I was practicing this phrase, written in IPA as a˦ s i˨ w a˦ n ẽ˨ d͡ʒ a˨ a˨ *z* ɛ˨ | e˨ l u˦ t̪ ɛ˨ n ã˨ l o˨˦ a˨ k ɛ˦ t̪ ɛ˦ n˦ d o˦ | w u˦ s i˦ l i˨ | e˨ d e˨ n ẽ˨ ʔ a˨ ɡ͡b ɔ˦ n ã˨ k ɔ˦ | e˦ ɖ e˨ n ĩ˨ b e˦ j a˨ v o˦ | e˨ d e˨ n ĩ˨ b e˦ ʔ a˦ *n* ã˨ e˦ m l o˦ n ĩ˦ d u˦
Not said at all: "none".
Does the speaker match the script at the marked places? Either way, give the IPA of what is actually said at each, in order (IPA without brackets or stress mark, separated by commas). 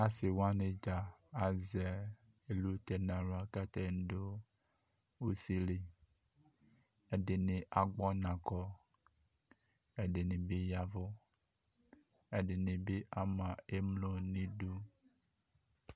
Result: z, m